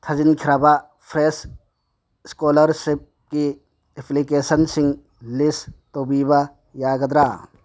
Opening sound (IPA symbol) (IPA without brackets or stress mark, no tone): t̪ʰ